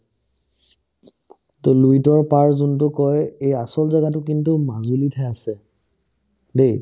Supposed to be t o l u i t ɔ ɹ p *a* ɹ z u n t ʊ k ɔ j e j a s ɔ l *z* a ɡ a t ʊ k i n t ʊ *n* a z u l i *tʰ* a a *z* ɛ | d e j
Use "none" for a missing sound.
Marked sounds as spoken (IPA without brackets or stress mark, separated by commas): a, z, m, tʰ, s